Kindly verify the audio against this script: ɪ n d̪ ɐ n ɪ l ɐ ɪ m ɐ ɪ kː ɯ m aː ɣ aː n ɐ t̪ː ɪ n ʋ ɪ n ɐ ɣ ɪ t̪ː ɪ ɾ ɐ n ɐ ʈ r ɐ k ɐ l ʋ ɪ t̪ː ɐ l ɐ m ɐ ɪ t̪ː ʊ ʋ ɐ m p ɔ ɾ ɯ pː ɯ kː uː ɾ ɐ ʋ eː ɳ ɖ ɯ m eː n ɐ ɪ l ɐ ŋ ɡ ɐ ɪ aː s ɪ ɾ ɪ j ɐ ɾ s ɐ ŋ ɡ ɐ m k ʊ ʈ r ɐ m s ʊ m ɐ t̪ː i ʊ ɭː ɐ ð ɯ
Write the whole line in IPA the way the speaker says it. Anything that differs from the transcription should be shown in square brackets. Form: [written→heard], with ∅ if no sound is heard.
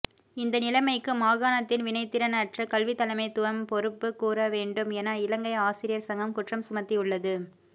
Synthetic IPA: ɪ n d̪ ɐ n ɪ l ɐ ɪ m ɐ ɪ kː ɯ m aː ɣ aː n ɐ t̪ː ɪ n ʋ ɪ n ɐ [ɣ→∅] ɪ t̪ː ɪ ɾ ɐ n ɐ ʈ r ɐ k ɐ l ʋ ɪ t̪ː ɐ l ɐ m ɐ ɪ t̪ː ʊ ʋ ɐ m p ɔ ɾ ɯ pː ɯ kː uː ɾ ɐ ʋ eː ɳ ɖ ɯ m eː n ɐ ɪ l ɐ ŋ ɡ ɐ ɪ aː s ɪ ɾ ɪ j ɐ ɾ s ɐ ŋ ɡ ɐ m k ʊ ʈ r ɐ m s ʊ m ɐ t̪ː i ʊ ɭː ɐ ð ɯ